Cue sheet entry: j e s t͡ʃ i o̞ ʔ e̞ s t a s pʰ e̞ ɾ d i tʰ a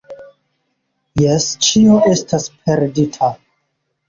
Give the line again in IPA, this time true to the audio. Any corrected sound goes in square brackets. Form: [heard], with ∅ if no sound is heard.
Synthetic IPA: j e s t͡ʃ i o̞ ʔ e̞ s t a s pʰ e̞ ɾ d i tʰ a